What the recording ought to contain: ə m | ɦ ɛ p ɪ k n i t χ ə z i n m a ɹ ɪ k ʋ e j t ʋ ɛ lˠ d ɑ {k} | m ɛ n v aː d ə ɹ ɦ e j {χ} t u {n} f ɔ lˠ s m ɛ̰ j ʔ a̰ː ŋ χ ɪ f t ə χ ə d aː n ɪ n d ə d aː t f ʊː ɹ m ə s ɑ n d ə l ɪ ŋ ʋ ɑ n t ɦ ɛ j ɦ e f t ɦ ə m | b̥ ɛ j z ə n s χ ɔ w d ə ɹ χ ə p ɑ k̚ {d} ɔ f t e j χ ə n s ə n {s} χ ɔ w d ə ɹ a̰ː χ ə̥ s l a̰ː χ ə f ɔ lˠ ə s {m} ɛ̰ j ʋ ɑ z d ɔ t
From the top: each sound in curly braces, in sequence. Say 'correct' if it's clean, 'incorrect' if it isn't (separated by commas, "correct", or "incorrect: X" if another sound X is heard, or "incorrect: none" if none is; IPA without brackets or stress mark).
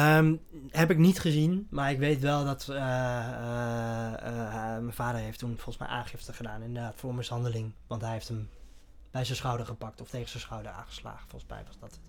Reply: incorrect: t, incorrect: f, correct, incorrect: t, correct, correct